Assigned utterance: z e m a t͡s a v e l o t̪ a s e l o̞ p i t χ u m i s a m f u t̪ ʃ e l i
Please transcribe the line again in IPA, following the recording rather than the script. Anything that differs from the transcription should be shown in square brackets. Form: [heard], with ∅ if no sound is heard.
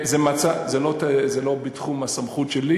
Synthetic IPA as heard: z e m a t͡s a [z] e l o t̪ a [z] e l o̞ [b] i t χ u m [a] s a m [χ] u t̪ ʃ e l i